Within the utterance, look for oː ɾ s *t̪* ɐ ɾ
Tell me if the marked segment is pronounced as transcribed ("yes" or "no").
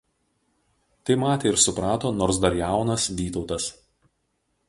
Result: no